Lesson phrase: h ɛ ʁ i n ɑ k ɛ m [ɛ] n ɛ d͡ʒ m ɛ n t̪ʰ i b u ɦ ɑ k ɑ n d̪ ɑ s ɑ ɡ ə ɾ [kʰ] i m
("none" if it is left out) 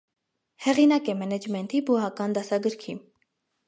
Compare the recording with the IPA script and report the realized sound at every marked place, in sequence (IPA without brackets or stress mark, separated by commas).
ɛ, kʰ